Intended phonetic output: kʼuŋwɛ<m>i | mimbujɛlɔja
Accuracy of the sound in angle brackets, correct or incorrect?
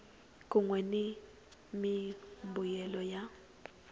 incorrect